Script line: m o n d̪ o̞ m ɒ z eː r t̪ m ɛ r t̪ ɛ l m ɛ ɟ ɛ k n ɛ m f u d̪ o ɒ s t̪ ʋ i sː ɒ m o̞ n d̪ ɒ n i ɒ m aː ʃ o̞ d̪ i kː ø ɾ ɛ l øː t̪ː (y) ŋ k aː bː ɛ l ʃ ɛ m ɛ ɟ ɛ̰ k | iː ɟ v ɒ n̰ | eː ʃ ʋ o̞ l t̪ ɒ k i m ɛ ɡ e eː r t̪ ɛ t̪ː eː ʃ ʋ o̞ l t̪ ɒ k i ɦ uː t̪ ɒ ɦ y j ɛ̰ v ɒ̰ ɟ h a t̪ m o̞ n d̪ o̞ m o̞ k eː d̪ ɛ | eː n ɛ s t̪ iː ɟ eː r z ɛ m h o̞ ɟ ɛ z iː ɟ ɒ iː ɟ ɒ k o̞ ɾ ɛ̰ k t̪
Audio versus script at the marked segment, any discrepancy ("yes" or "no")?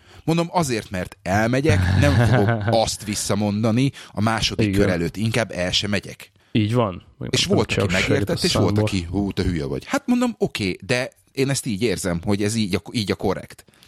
yes